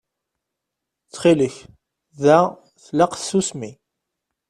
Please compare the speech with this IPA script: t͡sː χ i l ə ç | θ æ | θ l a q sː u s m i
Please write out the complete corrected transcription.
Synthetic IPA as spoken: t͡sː χ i l ə ç | ð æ | θ l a q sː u s m i